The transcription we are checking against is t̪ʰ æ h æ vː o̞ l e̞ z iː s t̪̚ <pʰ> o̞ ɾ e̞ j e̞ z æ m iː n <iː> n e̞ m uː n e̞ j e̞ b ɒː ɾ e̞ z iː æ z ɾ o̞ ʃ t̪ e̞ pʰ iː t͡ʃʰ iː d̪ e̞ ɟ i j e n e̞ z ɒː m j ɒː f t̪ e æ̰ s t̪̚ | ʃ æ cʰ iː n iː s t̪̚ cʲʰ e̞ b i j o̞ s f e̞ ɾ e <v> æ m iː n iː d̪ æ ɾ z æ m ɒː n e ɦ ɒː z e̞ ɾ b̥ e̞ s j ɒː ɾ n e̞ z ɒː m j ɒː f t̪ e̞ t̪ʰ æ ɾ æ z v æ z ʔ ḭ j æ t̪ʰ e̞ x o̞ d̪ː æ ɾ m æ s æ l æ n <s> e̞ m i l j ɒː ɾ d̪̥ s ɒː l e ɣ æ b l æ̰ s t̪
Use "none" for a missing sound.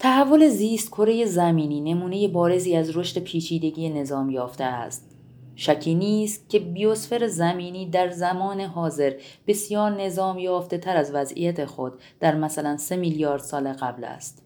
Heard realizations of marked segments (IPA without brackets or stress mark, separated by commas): kʰ, iː, z, s